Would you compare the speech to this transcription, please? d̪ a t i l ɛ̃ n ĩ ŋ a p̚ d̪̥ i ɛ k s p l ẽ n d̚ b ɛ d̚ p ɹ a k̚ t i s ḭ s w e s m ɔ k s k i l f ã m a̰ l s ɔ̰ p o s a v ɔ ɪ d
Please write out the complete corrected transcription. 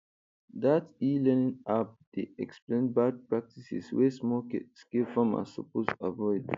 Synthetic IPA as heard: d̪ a t i l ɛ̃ n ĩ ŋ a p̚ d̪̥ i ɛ k s p l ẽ n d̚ b a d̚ p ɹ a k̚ t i s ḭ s w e s m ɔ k s k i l f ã m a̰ s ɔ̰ p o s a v ɔ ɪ d